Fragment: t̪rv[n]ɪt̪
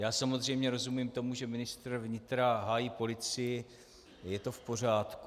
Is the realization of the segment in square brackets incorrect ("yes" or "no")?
yes